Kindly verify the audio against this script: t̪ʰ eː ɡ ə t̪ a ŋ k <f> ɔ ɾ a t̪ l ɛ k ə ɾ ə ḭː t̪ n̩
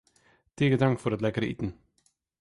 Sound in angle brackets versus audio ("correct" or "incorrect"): correct